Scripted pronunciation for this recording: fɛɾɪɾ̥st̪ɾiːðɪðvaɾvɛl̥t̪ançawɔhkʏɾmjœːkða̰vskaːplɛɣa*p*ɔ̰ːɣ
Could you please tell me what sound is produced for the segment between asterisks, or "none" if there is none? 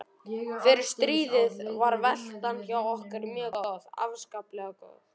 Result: k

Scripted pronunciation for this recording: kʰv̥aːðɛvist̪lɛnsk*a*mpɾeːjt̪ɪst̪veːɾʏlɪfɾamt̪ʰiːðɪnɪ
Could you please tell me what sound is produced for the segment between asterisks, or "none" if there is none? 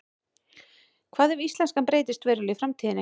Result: a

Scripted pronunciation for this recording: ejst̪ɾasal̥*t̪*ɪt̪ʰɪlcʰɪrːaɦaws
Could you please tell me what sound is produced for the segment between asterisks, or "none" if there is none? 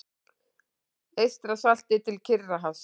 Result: t̪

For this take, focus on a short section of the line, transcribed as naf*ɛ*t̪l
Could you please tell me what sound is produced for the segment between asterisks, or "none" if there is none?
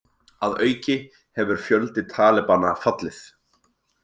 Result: a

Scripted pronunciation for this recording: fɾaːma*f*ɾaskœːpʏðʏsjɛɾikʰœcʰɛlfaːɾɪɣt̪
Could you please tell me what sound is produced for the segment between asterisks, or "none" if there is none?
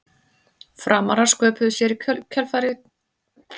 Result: none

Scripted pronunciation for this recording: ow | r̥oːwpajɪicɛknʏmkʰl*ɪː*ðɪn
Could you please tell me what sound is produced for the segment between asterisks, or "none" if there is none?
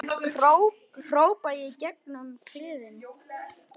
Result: ɪː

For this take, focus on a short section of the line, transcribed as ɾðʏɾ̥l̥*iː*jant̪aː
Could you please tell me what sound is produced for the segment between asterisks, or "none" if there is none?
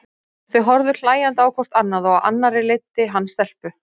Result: aː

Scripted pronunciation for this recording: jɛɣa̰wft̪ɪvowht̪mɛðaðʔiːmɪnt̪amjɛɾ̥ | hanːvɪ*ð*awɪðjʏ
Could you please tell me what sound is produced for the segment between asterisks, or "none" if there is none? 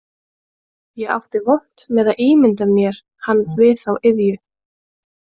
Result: θ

